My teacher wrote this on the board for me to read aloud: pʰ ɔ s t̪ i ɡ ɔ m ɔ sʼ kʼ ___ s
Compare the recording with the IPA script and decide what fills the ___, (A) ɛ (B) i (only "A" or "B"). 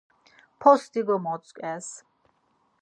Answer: A